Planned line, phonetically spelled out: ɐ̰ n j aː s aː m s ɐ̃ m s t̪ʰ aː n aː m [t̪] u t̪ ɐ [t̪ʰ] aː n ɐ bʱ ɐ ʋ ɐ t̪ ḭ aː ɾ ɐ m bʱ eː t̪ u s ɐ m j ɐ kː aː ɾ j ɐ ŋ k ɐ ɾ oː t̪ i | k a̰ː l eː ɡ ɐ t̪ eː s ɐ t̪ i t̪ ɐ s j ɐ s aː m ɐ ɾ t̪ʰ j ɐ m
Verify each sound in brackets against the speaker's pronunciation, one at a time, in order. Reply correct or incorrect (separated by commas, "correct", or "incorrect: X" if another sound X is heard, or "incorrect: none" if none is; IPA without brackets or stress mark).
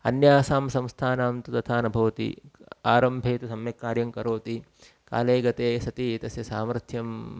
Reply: correct, correct